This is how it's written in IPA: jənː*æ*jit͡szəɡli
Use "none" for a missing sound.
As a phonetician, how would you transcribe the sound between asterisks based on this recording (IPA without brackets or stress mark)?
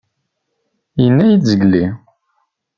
æ